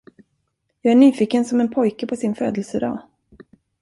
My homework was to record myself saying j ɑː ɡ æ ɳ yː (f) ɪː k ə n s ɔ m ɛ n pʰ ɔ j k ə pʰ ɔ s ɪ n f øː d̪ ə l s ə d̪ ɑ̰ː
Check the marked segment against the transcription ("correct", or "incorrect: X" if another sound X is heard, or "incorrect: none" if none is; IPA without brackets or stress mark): correct